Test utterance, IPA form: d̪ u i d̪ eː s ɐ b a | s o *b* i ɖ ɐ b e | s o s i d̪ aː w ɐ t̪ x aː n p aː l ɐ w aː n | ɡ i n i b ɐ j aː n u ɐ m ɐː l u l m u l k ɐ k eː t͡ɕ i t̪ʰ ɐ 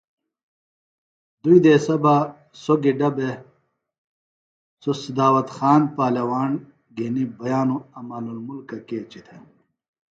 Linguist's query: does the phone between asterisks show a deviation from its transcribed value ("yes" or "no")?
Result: yes